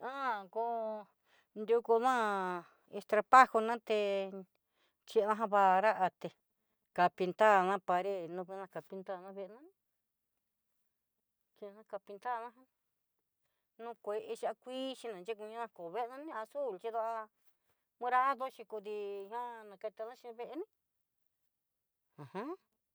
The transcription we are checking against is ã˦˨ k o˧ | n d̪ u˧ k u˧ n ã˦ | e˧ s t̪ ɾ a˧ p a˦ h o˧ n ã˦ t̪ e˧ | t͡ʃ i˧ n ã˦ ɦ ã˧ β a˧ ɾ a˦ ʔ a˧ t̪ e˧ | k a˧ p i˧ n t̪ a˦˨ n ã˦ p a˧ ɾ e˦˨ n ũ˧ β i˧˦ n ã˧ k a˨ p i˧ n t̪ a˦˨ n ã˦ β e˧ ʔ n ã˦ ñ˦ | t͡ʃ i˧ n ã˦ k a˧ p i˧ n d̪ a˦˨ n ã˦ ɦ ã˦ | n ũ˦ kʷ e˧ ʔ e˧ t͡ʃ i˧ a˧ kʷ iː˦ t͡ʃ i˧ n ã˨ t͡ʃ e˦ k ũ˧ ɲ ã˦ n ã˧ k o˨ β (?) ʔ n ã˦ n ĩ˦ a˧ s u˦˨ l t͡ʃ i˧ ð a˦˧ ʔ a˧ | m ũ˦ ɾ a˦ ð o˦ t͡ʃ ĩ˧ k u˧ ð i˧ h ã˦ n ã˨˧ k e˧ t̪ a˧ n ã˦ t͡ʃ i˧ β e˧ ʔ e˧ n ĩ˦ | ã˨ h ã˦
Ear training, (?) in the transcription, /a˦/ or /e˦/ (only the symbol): e˦